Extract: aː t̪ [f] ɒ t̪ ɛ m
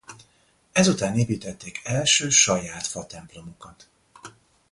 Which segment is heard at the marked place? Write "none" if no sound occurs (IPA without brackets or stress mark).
f